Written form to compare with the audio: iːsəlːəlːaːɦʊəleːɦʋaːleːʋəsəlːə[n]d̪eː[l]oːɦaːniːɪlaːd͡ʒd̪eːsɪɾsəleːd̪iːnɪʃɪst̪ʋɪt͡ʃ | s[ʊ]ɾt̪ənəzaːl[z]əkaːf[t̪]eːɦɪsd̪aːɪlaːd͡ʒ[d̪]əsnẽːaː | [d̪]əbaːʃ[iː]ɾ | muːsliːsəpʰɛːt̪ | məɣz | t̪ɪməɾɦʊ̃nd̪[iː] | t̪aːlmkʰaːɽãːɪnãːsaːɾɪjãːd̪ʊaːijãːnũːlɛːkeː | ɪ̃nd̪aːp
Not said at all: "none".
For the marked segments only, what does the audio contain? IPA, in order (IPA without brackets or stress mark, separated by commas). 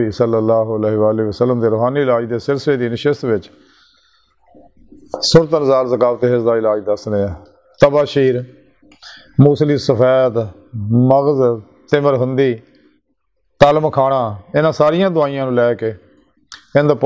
m, ɾ, ʊ, z, t̪, d̪, t̪, iː, iː